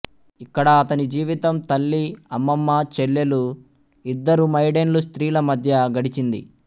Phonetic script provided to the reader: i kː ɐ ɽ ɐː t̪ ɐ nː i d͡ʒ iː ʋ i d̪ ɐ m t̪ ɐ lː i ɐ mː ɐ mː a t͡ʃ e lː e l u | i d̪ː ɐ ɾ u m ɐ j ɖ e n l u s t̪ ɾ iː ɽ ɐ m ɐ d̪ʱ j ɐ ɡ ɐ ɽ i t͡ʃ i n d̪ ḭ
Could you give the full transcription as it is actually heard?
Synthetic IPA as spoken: i kː ɐ ɽ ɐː t̪ ɐ n i d͡ʒ iː ʋ i t̪ ɐ m t̪ ɐ lː i ɐ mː ɐ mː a t͡ʃ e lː e l u | i d̪ː ɐ ɾ u m ɐ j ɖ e n l u s t̪ ɾ iː l ɐ m ɐ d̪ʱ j ɐ ɡ ɐ ɽ i t͡ʃ i n d̪ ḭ